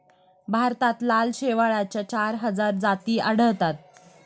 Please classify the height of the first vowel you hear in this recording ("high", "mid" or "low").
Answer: low